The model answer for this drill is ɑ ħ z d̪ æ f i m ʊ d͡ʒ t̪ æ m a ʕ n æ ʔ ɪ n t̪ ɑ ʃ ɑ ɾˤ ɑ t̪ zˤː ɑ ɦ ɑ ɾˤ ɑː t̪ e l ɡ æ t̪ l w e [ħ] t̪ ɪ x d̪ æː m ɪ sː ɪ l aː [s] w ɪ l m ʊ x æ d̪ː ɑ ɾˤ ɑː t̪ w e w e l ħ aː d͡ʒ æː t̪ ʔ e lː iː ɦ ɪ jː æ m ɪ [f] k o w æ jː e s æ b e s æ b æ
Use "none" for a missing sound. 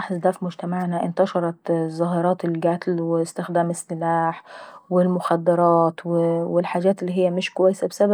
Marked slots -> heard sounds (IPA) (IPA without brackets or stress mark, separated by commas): s, ħ, ʃ